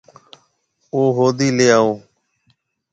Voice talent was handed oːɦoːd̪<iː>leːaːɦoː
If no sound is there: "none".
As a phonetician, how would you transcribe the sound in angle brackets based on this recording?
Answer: iː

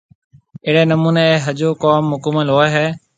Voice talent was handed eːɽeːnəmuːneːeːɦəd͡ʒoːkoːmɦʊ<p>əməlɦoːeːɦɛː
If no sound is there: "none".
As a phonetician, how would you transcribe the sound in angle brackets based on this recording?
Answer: k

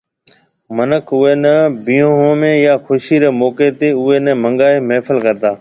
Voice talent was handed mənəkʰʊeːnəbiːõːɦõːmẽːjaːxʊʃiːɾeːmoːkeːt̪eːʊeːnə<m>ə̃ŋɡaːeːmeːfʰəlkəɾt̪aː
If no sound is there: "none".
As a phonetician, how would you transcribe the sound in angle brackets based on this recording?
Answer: m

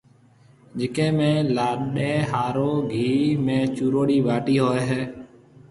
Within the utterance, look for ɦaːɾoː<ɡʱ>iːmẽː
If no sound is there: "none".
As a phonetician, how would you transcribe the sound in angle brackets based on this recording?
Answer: ɡʱ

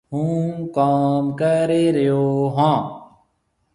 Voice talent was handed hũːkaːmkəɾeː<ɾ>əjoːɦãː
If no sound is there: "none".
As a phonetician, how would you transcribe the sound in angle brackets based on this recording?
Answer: ɾ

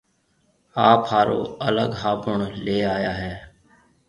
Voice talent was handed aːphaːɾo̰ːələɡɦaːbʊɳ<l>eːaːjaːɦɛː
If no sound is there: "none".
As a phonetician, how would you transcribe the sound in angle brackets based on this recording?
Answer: l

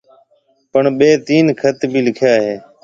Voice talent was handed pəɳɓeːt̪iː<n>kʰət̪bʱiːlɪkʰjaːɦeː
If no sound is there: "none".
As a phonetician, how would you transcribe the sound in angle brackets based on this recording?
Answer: n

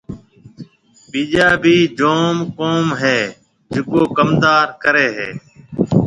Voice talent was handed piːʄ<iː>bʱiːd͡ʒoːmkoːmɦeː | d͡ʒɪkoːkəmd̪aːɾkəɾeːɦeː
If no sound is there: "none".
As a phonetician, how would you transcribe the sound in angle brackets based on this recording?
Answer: aː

